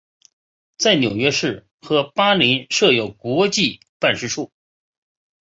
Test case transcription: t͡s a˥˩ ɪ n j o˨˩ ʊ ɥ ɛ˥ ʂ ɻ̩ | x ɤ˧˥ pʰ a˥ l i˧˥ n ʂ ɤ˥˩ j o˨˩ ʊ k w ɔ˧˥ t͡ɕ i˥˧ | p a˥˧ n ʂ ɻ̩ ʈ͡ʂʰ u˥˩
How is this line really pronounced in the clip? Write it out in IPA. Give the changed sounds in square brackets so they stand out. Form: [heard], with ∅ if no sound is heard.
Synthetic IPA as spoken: t͡s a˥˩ ɪ n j o˨˩ ʊ ɥ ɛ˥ ʂ ɻ̩ | x ɤ˧˥ [p] a˥ l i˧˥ n ʂ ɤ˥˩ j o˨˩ ʊ k w ɔ˧˥ t͡ɕ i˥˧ | p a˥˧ n ʂ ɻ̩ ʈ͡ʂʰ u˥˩